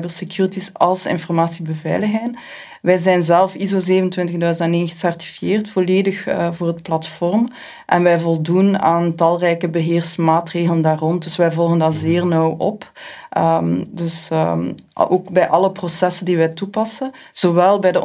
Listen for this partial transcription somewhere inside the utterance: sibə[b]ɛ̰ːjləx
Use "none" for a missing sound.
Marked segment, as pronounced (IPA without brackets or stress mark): v